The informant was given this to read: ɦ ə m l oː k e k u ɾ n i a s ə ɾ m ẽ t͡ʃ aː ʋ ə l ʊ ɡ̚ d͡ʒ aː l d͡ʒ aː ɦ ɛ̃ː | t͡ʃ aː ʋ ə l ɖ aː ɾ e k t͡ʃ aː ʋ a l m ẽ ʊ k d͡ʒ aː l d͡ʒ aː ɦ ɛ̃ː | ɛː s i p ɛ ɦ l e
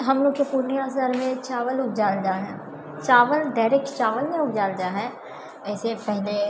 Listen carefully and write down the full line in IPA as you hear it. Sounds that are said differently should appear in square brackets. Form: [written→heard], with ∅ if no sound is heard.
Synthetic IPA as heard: ɦ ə m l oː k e [k→p] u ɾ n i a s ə ɾ m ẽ t͡ʃ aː ʋ ə l ʊ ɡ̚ d͡ʒ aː l d͡ʒ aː ɦ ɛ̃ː | t͡ʃ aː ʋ ə l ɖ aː ɾ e k t͡ʃ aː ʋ [a→ə] l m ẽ ʊ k d͡ʒ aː l d͡ʒ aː ɦ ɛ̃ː | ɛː s [i→e] p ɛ ɦ l e